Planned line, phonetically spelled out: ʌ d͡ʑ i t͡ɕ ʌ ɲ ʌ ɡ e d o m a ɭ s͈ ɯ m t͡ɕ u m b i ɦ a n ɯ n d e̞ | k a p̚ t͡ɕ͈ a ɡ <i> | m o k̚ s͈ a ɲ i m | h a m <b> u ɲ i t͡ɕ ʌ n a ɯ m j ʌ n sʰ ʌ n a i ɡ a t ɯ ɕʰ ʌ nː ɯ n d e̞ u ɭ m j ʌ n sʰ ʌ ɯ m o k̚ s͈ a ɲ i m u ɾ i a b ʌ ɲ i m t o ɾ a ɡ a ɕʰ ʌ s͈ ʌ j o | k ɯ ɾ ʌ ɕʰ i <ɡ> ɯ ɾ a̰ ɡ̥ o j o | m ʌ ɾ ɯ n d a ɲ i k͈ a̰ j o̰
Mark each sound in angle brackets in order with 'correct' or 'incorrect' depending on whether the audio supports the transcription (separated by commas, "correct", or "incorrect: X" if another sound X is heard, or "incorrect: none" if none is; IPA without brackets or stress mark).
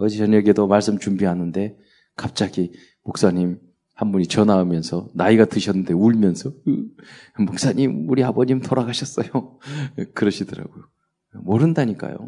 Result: correct, correct, incorrect: d